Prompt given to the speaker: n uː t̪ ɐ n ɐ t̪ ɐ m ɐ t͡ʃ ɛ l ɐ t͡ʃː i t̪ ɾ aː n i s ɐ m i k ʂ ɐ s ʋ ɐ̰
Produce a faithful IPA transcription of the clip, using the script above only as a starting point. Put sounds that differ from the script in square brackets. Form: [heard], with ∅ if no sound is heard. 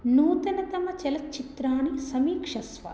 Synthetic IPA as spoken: n uː t̪ ɐ n ɐ t̪ ɐ m ɐ t͡ʃ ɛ l ɐ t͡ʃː i t̪ ɾ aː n i s ɐ m [iː] k ʂ ɐ s ʋ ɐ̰